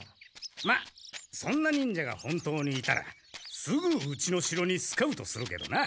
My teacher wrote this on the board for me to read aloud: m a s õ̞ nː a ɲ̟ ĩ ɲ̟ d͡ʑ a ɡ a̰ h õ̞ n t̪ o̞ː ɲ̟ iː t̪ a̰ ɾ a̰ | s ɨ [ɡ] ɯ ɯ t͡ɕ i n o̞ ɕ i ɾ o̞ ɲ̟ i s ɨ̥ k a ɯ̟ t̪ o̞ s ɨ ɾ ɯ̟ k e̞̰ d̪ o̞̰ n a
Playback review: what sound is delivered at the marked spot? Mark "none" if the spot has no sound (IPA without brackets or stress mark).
ɡ